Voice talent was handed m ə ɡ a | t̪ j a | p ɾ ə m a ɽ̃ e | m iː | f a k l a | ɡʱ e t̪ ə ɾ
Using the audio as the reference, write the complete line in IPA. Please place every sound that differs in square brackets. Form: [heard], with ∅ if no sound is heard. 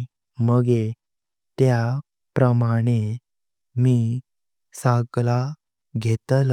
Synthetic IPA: m ə ɡ [e] | t̪ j a | p ɾ ə m a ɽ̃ e | m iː | [s] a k l a | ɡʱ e t̪ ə [l]